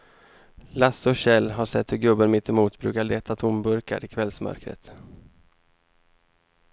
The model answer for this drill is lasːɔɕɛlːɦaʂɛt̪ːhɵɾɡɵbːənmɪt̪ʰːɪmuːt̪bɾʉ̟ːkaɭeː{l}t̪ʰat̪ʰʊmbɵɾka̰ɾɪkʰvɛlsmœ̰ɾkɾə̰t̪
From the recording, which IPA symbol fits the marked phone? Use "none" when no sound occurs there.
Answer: none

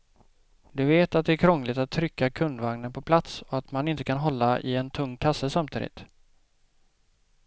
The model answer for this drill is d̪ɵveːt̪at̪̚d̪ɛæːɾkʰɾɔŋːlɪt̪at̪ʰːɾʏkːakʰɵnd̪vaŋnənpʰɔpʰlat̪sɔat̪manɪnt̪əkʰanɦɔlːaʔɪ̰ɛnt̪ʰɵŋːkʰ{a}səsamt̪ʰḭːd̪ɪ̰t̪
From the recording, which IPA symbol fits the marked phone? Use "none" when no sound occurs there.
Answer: a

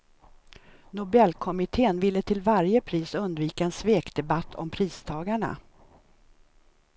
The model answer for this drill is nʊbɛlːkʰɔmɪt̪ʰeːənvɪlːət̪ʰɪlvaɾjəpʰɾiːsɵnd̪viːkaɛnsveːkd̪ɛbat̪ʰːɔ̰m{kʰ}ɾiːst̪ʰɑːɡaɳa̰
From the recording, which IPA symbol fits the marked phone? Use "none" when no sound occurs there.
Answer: pʰ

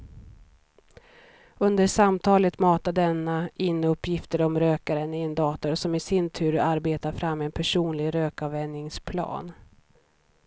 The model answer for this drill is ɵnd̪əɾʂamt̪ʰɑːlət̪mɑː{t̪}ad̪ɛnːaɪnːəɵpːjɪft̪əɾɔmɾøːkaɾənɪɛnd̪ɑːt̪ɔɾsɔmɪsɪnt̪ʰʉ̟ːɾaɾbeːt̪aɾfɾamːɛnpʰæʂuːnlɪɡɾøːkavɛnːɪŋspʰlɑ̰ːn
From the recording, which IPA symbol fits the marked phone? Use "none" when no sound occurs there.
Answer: t̪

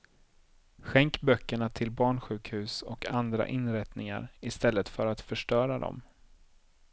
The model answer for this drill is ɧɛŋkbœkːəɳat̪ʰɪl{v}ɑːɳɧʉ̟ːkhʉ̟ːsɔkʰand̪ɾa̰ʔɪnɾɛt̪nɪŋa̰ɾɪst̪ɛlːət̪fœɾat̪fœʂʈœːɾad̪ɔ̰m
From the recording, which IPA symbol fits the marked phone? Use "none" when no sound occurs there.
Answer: b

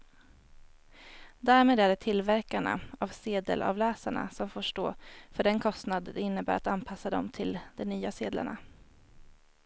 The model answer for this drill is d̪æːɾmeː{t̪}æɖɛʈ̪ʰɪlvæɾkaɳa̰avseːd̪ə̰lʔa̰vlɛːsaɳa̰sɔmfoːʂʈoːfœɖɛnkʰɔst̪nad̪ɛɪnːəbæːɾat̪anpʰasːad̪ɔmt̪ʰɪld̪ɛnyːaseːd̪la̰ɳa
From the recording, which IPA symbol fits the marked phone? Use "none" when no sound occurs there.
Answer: d̪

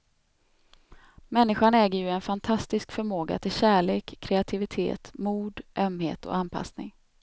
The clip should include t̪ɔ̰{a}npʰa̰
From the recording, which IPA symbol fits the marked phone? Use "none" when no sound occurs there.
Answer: a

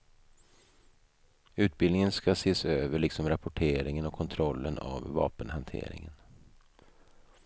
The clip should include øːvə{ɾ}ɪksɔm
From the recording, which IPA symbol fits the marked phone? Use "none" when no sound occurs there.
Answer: ɭ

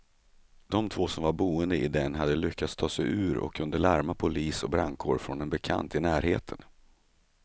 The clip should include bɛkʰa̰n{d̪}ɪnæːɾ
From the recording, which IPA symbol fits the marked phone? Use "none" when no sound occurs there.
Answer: t̪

